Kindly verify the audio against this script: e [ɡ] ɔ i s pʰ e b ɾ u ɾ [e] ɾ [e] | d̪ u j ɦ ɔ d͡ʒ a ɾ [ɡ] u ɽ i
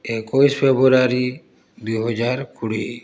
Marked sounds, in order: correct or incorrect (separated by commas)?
incorrect, incorrect, incorrect, incorrect